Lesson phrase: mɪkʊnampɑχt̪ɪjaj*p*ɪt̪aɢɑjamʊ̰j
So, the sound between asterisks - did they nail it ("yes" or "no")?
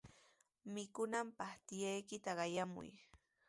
no